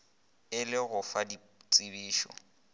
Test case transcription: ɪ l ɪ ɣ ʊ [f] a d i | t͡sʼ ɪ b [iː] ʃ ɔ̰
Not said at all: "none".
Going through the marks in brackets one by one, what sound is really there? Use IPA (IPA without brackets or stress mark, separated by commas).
f, iː